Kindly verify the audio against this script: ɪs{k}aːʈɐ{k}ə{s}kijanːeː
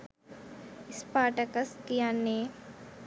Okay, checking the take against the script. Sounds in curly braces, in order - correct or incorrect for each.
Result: incorrect, correct, correct

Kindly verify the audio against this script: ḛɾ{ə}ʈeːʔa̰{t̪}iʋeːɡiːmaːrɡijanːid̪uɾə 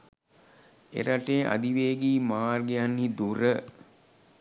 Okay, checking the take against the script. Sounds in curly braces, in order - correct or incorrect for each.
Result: incorrect, incorrect

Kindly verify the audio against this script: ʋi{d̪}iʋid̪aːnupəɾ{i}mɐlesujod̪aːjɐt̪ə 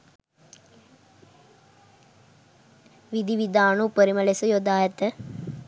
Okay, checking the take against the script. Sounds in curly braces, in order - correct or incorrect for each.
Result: correct, correct

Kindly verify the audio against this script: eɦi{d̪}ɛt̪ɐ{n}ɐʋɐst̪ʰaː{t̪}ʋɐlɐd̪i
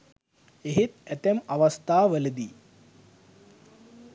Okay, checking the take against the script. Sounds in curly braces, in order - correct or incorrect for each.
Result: incorrect, incorrect, incorrect

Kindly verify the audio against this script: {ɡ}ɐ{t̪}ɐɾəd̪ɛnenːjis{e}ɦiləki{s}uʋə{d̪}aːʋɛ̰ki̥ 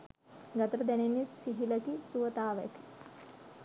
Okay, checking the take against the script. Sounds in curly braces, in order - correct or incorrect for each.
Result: correct, correct, incorrect, correct, incorrect

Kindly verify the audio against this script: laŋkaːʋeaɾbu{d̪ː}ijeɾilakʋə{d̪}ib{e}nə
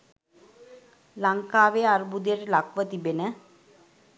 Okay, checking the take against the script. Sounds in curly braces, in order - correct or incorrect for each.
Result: incorrect, incorrect, correct

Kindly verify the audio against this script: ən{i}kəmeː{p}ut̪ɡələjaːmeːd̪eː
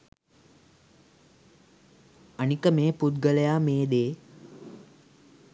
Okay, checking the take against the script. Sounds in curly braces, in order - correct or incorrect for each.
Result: correct, correct

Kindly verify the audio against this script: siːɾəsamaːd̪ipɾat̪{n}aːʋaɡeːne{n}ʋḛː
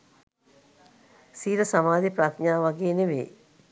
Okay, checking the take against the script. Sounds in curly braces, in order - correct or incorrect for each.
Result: incorrect, incorrect

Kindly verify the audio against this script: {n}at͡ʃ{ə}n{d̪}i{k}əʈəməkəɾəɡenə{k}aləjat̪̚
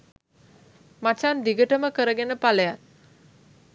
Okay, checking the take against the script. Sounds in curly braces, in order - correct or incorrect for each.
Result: incorrect, incorrect, correct, incorrect, incorrect

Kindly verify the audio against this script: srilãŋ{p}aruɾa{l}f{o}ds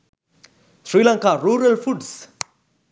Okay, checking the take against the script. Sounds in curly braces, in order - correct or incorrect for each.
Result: incorrect, correct, incorrect

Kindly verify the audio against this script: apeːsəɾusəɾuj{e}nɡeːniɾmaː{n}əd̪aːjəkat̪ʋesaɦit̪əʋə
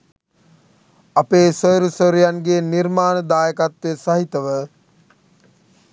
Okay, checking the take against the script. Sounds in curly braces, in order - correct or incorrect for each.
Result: incorrect, correct

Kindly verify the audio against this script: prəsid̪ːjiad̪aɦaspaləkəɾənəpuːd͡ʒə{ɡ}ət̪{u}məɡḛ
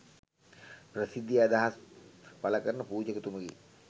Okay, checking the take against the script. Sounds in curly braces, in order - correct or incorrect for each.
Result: incorrect, correct

